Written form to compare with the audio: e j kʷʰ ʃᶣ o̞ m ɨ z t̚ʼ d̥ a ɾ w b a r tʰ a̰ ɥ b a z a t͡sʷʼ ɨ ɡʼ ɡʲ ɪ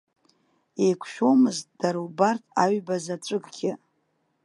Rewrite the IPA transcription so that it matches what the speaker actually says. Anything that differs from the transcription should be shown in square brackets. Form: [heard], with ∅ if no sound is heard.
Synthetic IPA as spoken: e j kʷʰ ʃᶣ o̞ m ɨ z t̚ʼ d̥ a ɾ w b a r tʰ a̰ ɥ b a z a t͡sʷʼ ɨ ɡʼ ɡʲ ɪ